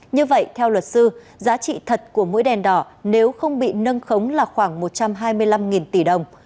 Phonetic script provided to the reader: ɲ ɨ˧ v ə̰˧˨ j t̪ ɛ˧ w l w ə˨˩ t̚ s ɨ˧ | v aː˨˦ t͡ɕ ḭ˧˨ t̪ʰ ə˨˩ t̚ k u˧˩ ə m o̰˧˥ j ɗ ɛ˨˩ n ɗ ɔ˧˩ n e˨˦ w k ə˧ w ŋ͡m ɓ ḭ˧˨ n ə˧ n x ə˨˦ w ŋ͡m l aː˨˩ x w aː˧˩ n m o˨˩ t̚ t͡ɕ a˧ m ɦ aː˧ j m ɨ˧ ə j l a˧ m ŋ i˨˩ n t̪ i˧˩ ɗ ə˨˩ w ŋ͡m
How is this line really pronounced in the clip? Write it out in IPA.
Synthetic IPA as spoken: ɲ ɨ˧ v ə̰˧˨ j t̪ʰ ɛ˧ w l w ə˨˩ t̚ s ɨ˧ | z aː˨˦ t͡ɕ ḭ˧˨ t̪ʰ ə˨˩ t̚ k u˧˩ ə m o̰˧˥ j ɗ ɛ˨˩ n ɗ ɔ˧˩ n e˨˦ w x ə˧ w ŋ͡m ɓ ḭ˧˨ n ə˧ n x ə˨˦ w ŋ͡m l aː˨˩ x w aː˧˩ ŋ m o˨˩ t̚ t͡ɕ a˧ m ɦ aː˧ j m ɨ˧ ə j l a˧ m ŋ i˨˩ n t̪ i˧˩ ɗ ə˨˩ w ŋ͡m

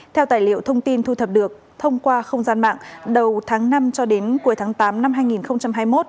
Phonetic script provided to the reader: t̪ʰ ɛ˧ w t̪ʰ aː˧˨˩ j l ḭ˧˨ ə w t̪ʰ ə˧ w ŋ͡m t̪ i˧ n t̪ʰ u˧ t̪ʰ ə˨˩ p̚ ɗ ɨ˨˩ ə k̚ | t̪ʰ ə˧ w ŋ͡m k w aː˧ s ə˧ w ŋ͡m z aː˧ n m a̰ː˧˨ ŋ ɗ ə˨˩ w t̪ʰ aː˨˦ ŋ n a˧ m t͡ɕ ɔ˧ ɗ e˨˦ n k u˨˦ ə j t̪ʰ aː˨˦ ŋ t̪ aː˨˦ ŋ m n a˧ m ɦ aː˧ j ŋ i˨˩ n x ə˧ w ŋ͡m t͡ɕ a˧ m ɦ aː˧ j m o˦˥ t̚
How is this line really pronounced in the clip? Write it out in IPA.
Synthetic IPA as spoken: t̪ʰ ɛ˧ w t̪ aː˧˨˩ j l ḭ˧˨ ə w t̪ʰ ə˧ w ŋ͡m t̪ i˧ n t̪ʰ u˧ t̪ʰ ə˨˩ p̚ ɗ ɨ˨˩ ə k̚ | t̪ʰ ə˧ w ŋ͡m k w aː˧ x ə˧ w ŋ͡m z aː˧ n m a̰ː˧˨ ŋ ɗ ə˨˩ w t̪ʰ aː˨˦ ŋ n a˧ m t͡ɕ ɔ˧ ɗ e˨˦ n k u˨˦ ə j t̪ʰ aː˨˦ ŋ t̪ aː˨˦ m n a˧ m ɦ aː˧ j ŋ i˨˩ n x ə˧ w ŋ͡m t͡ɕ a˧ m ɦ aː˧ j m o˦˥ t̚

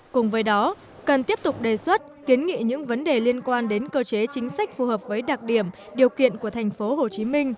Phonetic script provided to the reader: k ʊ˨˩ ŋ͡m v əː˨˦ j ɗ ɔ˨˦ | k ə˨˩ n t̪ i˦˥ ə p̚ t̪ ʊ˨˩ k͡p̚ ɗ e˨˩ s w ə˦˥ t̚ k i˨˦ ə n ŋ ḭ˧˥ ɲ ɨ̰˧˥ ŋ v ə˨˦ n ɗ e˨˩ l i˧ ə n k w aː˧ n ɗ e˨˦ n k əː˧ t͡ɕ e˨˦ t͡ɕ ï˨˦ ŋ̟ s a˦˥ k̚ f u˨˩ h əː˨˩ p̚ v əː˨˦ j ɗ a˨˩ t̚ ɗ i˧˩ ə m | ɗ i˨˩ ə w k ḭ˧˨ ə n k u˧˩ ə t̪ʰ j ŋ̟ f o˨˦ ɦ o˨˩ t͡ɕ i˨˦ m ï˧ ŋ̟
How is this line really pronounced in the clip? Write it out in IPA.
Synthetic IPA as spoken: k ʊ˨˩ ŋ͡m v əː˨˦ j ɗ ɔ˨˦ | k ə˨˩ n t̪ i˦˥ ə p̚ t̪ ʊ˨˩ k͡p̚ ɗ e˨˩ s w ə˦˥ t̚ k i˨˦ ə n ŋ ḭ˧˨ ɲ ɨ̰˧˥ ŋ v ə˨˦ n ɗ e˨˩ l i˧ ə n k w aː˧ n ɗ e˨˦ n k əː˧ t͡ɕ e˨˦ t͡ɕ ï˨˦ ŋ̟ s a˦˥ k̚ f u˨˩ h əː˨˩ p̚ v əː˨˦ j ɗ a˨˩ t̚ ɗ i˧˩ ə m | ɗ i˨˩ ə w k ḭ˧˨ ə n k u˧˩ ə t̪ʰ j ŋ̟ f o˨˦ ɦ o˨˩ t͡ɕ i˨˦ m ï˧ ŋ̟

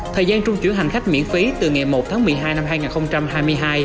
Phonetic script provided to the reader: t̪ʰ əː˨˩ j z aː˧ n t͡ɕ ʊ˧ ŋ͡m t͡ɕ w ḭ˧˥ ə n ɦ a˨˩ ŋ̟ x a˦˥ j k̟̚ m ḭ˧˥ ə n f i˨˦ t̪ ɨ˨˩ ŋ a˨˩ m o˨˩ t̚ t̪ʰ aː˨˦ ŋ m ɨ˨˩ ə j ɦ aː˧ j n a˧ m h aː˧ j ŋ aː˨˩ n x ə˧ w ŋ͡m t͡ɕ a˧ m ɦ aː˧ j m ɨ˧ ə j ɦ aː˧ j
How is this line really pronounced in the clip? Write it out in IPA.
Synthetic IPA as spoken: t̪ʰ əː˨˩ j z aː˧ n t͡ɕ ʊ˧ ŋ͡m t͡ɕ w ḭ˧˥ ə n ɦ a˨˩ ŋ̟ x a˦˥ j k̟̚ m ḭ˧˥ ə n f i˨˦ t̪ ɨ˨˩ ŋ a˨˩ m o˨˩ t̚ t̪ʰ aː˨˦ ŋ m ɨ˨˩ ə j ɦ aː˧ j n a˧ m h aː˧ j ŋ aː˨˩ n x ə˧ w ŋ͡m t͡ɕ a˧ m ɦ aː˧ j m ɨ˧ ə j ɦ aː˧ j

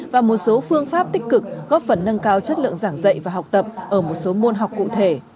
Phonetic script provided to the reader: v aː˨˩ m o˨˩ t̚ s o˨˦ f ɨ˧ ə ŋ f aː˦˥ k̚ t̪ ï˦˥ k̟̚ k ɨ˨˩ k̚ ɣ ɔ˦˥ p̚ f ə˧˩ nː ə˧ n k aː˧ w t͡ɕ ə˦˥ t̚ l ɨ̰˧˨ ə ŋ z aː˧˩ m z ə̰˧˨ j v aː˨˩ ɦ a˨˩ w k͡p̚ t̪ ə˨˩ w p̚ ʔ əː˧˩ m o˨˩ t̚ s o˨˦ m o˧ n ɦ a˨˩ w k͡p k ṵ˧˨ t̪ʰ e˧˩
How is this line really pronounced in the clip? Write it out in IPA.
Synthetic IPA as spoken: v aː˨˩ m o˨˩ t̚ s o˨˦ f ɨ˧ ə ŋ f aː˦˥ p̚ t̪ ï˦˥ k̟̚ k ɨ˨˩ k̚ ɣ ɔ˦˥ p̚ f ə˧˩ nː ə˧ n k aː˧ w t͡ɕ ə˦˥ t̚ l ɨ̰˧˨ ə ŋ z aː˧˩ ŋ z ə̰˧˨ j v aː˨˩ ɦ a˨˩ w k͡p̚ t̪ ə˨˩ p̚ ʔ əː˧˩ m o˨˩ t̚ s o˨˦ m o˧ n ɦ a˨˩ w k͡p k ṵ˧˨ t̪ʰ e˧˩

